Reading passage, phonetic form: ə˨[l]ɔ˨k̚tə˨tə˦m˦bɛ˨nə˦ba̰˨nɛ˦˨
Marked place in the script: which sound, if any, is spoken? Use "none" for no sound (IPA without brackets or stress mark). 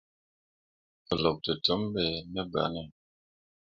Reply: l